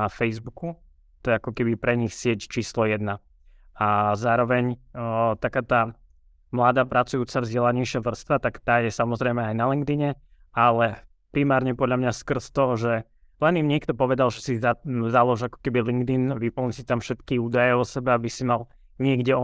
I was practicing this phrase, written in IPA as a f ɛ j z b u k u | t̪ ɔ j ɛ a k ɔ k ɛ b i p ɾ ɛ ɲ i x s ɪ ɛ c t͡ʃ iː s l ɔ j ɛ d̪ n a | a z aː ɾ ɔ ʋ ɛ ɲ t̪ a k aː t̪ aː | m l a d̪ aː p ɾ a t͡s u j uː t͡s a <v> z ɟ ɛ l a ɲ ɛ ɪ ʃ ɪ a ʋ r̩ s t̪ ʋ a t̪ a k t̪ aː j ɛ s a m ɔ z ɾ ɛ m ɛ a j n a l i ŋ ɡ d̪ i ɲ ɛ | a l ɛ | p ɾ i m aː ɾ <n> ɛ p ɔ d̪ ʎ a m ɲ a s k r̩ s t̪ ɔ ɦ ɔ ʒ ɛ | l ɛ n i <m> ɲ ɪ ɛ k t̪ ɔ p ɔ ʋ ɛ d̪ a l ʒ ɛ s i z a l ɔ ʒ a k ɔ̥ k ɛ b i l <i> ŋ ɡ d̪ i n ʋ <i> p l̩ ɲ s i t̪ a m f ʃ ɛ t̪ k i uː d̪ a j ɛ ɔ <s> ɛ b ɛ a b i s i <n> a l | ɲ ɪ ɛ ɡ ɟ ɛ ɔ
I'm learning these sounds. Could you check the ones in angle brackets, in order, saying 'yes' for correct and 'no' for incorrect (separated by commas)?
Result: yes, no, yes, yes, yes, yes, no